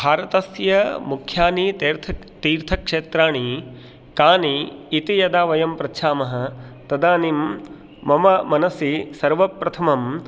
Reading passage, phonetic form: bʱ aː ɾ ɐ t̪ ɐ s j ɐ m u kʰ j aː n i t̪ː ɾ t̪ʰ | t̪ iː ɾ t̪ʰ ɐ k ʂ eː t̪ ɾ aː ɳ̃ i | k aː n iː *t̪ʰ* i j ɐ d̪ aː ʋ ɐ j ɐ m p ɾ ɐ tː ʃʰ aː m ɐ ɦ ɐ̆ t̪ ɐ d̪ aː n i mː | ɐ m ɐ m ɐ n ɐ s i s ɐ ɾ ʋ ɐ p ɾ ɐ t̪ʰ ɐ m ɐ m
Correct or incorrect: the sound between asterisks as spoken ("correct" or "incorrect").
incorrect